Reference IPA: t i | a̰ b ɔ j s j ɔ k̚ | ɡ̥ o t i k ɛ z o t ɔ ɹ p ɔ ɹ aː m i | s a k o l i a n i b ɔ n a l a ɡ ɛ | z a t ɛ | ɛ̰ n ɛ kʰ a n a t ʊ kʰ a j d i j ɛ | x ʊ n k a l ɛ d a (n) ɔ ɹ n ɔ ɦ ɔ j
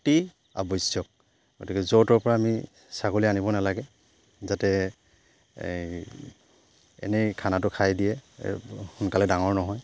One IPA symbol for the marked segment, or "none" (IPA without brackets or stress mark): ŋ